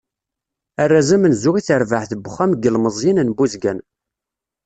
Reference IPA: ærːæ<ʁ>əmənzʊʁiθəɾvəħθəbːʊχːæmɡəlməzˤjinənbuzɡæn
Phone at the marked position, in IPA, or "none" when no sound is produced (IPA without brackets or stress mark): z